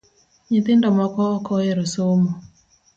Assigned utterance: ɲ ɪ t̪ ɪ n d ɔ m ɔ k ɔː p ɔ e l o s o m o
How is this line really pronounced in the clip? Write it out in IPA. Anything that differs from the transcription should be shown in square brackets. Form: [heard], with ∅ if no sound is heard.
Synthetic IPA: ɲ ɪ t̪ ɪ n d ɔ m ɔ k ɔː [k] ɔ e [ɾ] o s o m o